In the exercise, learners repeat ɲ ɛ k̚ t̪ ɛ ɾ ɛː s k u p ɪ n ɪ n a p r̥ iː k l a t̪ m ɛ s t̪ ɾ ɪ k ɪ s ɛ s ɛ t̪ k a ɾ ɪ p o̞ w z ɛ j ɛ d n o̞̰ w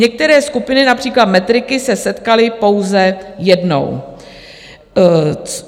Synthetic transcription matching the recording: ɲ ɛ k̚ t̪ ɛ ɾ ɛː s k u p ɪ n ɪ n a p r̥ iː k l a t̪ m ɛ t̪ ɾ ɪ k ɪ s ɛ s ɛ t̪ k a l ɪ p o̞ w z ɛ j ɛ d n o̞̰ w